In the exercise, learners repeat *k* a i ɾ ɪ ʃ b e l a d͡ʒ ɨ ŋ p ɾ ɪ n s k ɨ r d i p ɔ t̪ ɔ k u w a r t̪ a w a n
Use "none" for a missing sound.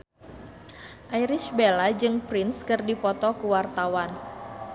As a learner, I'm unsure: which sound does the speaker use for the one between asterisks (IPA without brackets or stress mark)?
ʔ